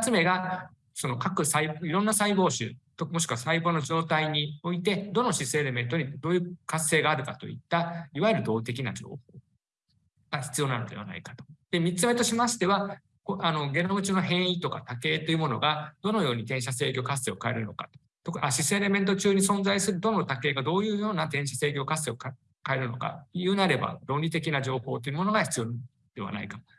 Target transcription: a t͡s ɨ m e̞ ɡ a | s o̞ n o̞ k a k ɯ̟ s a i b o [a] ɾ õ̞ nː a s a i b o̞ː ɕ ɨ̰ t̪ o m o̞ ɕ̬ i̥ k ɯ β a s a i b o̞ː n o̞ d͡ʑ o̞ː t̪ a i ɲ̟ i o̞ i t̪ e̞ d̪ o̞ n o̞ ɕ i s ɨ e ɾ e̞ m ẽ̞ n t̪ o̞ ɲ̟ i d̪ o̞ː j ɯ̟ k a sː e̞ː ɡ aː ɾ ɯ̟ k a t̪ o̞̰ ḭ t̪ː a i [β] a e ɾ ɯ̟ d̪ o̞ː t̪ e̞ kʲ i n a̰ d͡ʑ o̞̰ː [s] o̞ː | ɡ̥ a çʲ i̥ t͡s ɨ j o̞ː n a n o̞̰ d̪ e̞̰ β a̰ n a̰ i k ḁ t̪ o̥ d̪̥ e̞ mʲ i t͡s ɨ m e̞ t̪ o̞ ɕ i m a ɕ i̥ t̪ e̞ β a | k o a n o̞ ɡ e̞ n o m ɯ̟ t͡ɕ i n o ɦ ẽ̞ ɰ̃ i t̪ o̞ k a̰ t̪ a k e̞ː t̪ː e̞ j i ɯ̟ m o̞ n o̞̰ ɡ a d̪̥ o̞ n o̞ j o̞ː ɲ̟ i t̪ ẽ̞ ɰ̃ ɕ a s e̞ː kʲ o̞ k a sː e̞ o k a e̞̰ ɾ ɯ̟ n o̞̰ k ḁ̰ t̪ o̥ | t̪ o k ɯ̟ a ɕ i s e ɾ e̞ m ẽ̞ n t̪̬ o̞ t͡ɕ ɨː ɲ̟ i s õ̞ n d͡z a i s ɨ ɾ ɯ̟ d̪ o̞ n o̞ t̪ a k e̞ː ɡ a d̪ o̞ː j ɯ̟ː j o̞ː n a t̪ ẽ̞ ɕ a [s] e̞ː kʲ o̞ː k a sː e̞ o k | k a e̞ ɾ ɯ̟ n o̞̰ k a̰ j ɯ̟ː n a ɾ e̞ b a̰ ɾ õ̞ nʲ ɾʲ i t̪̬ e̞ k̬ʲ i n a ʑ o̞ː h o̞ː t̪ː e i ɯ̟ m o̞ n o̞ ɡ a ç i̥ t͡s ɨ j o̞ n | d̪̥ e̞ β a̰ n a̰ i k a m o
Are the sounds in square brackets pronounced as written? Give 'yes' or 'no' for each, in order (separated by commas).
no, yes, no, yes